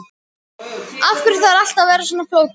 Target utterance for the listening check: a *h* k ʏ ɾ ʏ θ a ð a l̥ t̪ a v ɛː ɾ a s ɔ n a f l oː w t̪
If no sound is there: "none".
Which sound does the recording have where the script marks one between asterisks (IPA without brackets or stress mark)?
f